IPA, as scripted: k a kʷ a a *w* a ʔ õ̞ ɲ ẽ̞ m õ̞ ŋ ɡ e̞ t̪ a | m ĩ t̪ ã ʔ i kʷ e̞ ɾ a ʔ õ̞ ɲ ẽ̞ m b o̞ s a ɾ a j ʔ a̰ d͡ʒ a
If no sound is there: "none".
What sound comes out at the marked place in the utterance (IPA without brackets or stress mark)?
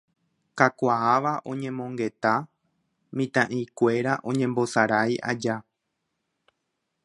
ʋ